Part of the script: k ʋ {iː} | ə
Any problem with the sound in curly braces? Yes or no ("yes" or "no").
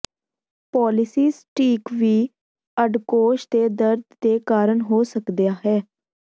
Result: no